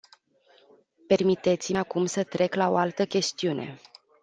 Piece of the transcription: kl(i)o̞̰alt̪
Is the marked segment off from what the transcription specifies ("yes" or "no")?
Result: yes